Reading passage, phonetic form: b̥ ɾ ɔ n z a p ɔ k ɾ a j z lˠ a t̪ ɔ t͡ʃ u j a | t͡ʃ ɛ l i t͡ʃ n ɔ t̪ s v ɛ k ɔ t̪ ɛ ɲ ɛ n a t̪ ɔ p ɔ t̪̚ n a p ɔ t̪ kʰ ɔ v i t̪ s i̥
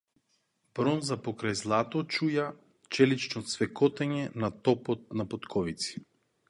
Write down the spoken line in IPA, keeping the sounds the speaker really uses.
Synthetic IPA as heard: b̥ ɾ ɔ n z a p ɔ k ɾ a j z lˠ a t̪ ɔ t͡ʃ u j a | t͡ʃ ɛ l i t͡ʃ n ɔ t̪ s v ɛ k ɔ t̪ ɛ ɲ ɛ n a t̪ ɔ p ɔ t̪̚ n a p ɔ t̪ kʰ ɔ v i t̪ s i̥